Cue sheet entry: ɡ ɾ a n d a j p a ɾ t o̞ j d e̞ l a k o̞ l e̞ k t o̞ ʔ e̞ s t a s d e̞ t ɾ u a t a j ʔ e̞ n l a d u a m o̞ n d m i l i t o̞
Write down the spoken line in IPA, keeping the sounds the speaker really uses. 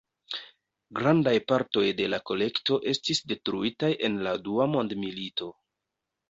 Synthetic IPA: ɡ ɾ a n d a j p a ɾ t o̞ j d e̞ l a k o̞ l e̞ k t o̞ ʔ e̞ s t i s d e̞ t ɾ u i t a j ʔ e̞ n l a d u a m o̞ n d m i l i t o̞